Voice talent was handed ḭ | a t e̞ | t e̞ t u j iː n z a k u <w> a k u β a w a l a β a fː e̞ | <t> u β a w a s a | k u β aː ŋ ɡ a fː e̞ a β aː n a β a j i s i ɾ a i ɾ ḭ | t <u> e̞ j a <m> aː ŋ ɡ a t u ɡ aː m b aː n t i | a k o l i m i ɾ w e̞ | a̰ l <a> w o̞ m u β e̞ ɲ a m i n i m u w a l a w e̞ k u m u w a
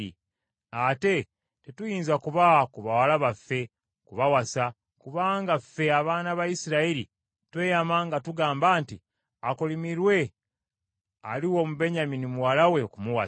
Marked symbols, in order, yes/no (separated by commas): no, no, no, yes, no